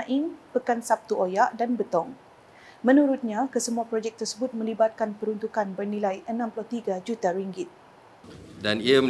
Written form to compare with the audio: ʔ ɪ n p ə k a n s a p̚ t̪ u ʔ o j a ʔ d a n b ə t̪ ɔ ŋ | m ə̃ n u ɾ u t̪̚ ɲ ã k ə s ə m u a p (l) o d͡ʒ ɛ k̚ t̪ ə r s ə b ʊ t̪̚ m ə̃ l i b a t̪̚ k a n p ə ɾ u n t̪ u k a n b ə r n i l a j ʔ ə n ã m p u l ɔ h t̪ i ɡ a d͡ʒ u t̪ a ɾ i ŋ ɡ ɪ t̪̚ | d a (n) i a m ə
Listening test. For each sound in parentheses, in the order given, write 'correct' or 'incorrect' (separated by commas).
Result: incorrect, correct